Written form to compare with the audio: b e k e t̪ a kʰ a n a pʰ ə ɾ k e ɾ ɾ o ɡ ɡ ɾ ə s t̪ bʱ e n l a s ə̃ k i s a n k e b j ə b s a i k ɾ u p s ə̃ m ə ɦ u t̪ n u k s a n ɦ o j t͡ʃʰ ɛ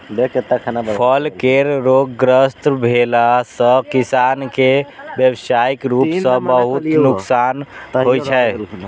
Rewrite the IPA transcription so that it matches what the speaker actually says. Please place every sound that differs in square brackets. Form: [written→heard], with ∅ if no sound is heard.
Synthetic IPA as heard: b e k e t̪ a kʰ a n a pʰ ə [ɾ→l] k e ɾ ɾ o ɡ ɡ ɾ ə s t̪ bʱ e [n→∅] l a s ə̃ k i s a n k e b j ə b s a i k ɾ u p s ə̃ [m→b] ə ɦ u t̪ n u k s a n ɦ o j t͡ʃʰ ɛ